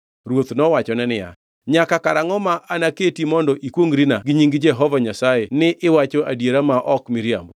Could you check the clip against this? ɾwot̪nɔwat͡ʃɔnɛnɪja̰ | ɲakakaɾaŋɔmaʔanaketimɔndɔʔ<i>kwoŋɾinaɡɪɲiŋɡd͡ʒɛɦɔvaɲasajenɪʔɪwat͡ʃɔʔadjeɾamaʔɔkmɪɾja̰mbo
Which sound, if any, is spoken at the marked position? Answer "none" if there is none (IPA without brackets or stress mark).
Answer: i